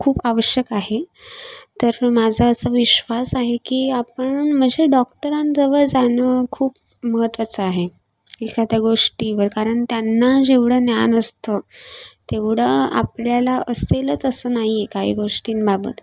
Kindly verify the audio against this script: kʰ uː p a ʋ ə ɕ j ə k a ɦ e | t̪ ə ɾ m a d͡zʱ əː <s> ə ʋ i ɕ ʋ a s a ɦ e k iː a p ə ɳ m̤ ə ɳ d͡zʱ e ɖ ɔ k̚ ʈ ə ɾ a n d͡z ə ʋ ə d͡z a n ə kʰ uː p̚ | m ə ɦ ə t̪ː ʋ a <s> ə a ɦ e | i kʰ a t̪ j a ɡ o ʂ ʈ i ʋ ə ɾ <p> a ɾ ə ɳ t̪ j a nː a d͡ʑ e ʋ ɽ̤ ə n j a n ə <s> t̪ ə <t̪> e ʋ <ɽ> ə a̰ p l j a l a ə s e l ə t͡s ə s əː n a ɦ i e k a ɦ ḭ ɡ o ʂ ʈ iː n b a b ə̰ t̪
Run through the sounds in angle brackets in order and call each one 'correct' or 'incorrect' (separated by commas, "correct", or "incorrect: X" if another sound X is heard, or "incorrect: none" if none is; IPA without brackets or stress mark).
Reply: correct, incorrect: t͡s, incorrect: k, correct, correct, correct